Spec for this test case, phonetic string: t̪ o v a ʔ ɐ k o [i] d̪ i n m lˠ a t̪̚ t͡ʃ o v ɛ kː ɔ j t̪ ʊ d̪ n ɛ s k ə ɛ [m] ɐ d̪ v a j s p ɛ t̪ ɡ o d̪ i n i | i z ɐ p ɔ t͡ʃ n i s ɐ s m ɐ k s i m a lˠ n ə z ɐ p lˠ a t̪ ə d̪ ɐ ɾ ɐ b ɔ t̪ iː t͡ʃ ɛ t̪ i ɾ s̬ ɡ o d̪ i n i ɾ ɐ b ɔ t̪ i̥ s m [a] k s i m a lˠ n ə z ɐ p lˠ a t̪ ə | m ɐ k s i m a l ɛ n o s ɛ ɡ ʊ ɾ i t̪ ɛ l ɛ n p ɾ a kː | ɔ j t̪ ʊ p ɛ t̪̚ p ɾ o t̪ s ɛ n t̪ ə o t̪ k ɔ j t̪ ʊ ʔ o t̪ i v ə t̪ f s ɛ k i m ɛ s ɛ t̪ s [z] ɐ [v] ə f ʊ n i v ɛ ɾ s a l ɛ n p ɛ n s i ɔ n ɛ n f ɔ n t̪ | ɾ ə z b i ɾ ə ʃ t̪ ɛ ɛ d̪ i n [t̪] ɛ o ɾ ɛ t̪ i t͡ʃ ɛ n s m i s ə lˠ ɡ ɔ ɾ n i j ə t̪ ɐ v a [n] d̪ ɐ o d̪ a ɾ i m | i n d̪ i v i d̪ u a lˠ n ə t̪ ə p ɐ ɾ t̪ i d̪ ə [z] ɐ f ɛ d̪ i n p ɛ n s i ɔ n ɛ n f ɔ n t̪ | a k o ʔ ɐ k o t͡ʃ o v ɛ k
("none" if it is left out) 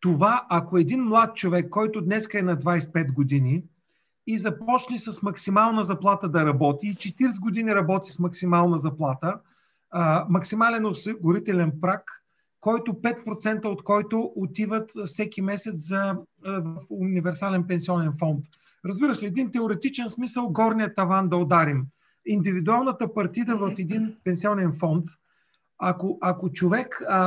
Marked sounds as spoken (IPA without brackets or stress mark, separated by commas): ɛ, n, ɐ, z, v, t̪, n, v